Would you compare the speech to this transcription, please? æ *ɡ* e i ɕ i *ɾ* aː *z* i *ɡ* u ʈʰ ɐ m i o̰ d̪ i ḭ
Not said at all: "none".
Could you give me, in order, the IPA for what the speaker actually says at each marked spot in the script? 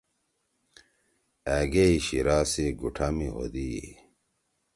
ɡ, ɾ, s, ɡ

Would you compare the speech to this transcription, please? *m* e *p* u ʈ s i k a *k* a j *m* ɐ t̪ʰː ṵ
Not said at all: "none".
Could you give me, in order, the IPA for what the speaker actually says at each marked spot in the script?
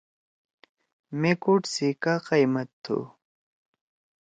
m, k, q, m

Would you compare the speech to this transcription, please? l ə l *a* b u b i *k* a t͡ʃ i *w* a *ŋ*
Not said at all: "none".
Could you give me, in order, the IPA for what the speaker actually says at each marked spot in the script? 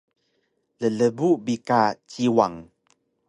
ə, k, w, ŋ

